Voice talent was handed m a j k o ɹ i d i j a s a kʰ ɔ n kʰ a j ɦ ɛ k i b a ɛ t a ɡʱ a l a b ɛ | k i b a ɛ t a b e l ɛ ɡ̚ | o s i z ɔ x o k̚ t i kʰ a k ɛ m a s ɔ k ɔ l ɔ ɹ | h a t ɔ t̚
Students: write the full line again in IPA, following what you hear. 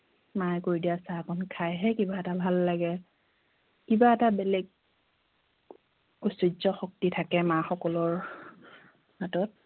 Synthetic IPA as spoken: m a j k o ɹ i d i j a s a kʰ ɔ n kʰ a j ɦ ɛ k i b a ɛ t a bʱ a lː a ɡ ɛ | k i b a ɛ t a b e l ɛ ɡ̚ | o s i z ɔ x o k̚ t i tʰ a k ɛ m a x ɔ k ɔ l ɔ ɹ | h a t ɔ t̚